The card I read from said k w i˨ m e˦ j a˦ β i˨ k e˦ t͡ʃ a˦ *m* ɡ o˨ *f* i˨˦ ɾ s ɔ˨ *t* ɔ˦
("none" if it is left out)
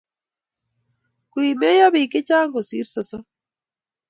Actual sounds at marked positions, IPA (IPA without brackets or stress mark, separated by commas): ŋ, s, s